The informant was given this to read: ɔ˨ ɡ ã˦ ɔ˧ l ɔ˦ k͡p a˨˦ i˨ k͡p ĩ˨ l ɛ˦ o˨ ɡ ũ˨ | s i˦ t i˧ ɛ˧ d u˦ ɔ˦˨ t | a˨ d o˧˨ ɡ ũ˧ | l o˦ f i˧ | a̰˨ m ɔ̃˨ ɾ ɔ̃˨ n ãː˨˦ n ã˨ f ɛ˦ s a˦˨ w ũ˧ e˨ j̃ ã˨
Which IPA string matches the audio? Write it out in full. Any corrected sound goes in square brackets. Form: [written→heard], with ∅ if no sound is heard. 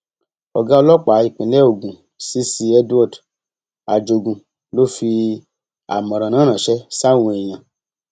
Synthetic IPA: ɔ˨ ɡ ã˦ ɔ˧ l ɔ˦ k͡p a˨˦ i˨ k͡p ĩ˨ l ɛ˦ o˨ ɡ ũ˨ | s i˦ [t→s] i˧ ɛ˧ d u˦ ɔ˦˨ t | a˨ [d→d͡ʒ] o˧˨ ɡ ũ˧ | l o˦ f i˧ | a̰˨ m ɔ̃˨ ɾ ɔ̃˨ n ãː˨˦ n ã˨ [f→ʃ] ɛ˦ s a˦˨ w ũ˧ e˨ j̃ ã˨